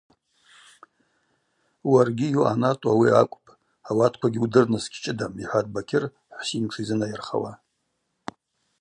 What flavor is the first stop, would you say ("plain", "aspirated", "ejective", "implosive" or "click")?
plain